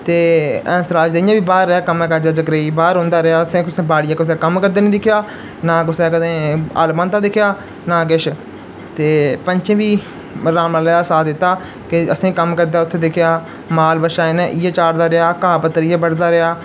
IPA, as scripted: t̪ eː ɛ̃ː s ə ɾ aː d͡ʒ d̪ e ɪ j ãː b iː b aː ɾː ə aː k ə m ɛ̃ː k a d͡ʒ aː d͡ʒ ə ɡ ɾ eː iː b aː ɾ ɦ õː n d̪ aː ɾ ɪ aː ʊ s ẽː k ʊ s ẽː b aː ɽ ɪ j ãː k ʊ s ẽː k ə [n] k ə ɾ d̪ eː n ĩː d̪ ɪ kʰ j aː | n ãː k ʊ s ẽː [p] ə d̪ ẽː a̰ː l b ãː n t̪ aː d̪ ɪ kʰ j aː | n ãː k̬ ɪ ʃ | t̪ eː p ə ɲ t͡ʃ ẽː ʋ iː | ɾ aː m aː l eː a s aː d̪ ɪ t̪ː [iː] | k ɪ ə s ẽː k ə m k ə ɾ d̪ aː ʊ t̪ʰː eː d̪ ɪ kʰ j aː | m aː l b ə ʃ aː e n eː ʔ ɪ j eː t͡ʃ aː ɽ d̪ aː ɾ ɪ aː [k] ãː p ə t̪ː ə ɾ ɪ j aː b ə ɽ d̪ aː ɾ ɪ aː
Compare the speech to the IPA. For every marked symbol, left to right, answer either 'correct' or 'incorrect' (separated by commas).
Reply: incorrect, incorrect, incorrect, correct